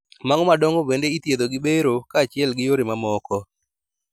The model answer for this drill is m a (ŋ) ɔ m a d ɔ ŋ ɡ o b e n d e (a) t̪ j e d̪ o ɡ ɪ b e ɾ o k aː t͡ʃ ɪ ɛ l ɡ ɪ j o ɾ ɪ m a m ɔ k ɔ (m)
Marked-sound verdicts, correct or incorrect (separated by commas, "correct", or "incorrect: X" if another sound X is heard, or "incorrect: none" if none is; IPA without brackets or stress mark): correct, incorrect: i, incorrect: none